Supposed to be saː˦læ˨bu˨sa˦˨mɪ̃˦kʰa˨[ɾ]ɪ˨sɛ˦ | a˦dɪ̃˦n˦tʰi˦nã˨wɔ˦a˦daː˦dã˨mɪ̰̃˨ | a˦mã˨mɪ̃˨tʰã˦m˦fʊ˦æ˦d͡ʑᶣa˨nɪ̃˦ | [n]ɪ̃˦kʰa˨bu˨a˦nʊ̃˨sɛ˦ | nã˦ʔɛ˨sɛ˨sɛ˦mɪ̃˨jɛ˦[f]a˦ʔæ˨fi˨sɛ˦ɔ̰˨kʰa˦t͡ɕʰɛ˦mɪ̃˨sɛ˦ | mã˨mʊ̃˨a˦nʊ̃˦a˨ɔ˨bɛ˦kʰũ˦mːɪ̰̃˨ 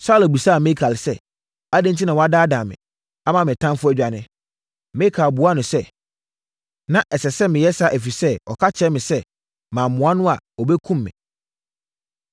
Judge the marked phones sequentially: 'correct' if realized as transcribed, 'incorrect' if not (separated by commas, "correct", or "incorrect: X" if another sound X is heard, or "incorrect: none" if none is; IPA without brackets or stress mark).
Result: incorrect: l, incorrect: m, incorrect: s